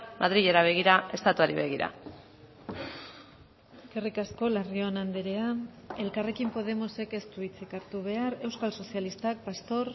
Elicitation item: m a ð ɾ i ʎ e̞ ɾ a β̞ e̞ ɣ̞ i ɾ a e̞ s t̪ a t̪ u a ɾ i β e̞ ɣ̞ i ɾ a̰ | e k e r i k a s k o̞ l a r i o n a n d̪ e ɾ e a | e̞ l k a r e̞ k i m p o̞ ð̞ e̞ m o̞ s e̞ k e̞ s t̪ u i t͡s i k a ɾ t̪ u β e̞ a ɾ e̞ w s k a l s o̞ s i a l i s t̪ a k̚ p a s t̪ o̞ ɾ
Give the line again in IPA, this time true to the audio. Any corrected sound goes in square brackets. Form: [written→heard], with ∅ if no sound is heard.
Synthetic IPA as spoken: m a ð ɾ i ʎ e̞ ɾ a β̞ e̞ ɣ̞ i ɾ a e̞ s t̪ a t̪ u a ɾ i β e̞ ɣ̞ i ɾ a̰ | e k e r i k a s k o̞ l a r i o n a n d̪ e ɾ e a | e̞ l k a r e̞ k i m p o̞ ð̞ e̞ m o̞ s e̞ k e̞ s t̪ u i t͡s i k a ɾ t̪ u β e̞ a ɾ e̞ w s k a l s o̞ s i a l i s t̪ a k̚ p a s t̪ o̞ ɾ